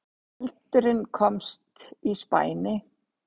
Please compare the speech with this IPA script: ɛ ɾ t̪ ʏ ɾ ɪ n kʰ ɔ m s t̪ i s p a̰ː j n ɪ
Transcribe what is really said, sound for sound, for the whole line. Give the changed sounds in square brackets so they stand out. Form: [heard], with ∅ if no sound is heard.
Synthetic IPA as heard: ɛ [l] t̪ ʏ ɾ ɪ n kʰ ɔ m s t̪ i s p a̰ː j n ɪ